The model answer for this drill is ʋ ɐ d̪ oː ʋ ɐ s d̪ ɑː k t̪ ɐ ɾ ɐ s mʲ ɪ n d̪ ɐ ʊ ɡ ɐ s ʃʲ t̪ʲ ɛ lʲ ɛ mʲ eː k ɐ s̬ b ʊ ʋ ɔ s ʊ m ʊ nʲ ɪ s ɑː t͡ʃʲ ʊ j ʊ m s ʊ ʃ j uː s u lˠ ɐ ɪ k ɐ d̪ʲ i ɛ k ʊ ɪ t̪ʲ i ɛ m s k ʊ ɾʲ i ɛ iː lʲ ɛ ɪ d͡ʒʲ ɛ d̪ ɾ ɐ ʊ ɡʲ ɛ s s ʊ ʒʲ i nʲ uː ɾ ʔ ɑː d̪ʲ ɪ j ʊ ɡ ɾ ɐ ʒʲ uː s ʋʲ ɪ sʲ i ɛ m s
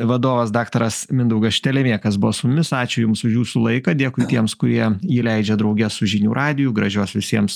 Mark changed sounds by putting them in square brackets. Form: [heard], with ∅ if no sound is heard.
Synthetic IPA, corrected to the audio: ʋ ɐ d̪ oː ʋ ɐ s d̪ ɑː k t̪ ɐ ɾ ɐ s mʲ ɪ n d̪ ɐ ʊ ɡ ɐ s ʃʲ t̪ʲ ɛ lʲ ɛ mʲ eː k ɐ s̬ b ʊ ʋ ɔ s ʊ m ʊ [mʲ] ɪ s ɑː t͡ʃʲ ʊ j ʊ m s ʊ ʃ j uː s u lˠ ɐ ɪ k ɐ d̪ʲ i ɛ k ʊ ɪ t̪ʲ i ɛ m s k ʊ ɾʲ i ɛ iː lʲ ɛ ɪ d͡ʒʲ ɛ d̪ ɾ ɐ ʊ ɡʲ ɛ s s ʊ ʒʲ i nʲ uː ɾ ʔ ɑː d̪ʲ ɪ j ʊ ɡ ɾ ɐ ʒʲ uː s ʋʲ ɪ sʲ i ɛ m s